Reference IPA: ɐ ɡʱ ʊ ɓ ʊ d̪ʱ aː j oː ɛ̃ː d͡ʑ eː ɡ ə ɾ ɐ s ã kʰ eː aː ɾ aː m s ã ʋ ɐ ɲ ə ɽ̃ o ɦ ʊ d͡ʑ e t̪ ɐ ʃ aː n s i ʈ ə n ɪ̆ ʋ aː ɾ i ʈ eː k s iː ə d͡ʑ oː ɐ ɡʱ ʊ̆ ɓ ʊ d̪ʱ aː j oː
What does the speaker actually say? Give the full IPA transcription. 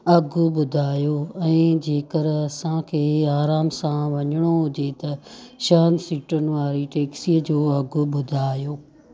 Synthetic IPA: ɐ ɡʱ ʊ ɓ ʊ d̪ʱ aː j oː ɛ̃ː d͡ʑ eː k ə ɾ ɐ s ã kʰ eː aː ɾ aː m s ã ʋ ɐ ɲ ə ɽ̃ o ɦ ʊ d͡ʑ e t̪ ɐ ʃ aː n s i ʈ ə n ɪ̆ ʋ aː ɾ i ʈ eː k s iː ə d͡ʑ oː ɐ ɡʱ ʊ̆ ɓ ʊ d̪ʱ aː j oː